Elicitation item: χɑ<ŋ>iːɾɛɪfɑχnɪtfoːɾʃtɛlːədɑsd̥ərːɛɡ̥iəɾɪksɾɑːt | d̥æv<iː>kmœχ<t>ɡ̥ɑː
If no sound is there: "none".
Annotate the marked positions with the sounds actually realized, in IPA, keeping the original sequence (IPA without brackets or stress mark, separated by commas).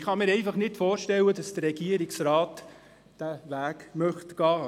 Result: m, æː, t